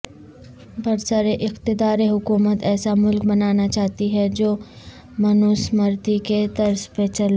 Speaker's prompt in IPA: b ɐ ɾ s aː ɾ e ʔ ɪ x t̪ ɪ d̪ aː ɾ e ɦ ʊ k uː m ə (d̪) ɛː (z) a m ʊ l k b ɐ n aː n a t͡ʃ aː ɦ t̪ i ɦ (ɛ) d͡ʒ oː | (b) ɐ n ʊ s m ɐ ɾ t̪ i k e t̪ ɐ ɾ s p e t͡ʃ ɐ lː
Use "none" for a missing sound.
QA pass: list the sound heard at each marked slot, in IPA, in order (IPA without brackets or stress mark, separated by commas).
t̪, s, ɛ, m